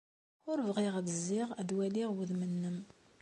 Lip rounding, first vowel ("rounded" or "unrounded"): rounded